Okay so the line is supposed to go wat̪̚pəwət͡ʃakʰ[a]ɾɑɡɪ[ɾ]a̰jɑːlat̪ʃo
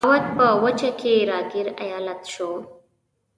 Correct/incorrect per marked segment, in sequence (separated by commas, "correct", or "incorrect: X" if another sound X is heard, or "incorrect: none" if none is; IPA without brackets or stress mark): incorrect: e, correct